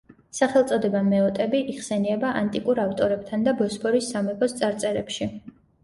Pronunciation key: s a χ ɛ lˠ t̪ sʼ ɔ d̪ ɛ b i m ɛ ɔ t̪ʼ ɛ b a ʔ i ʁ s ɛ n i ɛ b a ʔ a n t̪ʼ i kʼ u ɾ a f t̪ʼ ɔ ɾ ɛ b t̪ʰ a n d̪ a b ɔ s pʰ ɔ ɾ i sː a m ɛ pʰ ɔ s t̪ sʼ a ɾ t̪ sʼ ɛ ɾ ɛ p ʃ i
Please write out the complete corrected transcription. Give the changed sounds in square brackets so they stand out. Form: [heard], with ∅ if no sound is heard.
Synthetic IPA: s a χ ɛ lˠ t̪ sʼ ɔ d̪ ɛ b [a] m ɛ ɔ t̪ʼ ɛ b [i] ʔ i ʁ s ɛ n i ɛ b a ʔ a n t̪ʼ i kʼ u ɾ a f t̪ʼ ɔ ɾ ɛ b t̪ʰ a n d̪ a b ɔ s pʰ ɔ ɾ i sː a m ɛ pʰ ɔ s t̪ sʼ a ɾ t̪ sʼ ɛ ɾ ɛ p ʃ i